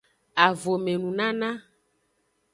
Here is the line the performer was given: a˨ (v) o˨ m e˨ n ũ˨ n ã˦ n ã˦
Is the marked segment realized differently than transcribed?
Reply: no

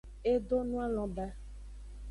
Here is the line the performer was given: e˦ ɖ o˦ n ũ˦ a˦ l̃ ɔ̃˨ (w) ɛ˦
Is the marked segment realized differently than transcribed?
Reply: yes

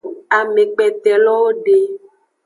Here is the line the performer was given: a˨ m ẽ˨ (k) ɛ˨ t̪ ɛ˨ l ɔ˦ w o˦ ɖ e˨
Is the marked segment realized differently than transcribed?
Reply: yes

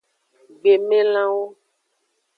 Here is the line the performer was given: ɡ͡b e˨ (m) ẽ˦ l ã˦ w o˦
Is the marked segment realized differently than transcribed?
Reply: no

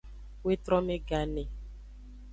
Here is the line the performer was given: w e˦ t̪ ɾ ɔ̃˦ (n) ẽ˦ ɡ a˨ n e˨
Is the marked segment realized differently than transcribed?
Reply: yes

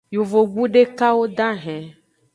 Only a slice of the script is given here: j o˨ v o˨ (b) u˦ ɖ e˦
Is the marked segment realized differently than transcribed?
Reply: yes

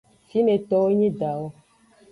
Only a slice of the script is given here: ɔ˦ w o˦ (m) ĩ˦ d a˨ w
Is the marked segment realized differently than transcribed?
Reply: yes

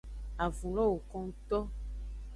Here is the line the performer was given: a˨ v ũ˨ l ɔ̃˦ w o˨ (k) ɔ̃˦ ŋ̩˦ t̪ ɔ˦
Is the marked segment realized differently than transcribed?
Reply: no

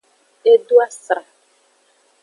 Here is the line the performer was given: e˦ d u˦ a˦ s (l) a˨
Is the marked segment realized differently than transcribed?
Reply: yes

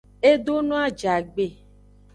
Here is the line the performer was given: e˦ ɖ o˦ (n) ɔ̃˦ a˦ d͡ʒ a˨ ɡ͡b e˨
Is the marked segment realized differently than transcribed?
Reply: no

